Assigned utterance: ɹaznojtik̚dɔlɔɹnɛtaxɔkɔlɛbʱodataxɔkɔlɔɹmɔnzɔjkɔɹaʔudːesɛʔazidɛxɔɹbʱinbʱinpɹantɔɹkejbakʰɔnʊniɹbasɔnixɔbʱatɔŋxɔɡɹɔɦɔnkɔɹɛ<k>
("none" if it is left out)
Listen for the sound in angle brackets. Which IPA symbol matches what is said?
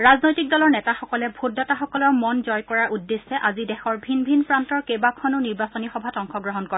none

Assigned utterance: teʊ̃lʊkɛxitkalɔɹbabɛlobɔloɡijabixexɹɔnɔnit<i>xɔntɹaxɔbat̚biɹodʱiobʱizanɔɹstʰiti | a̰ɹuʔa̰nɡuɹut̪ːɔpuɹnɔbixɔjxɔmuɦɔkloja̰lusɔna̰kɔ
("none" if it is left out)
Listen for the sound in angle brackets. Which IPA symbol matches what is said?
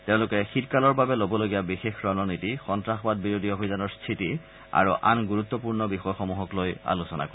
i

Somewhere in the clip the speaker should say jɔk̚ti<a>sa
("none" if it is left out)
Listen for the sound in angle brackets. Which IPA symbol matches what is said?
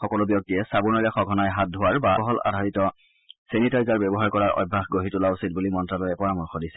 ɛ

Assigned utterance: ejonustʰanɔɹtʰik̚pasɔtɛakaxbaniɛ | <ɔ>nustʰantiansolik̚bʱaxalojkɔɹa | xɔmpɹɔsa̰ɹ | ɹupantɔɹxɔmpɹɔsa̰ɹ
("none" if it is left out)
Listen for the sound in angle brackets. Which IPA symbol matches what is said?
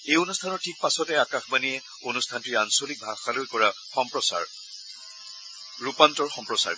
o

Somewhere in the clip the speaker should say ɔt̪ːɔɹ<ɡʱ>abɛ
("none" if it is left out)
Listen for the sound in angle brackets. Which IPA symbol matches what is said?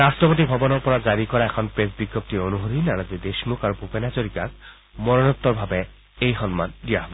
bʱ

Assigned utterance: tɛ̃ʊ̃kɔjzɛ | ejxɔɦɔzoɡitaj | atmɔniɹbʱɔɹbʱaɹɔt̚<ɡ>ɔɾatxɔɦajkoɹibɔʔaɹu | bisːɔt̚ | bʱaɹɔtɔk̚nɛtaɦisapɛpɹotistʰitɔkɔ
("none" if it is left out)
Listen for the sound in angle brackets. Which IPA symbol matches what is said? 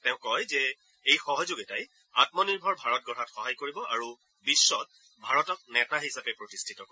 ɡ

